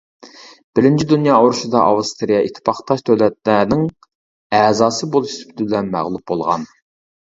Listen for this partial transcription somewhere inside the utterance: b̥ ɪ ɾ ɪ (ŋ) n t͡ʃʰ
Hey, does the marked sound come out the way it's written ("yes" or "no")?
no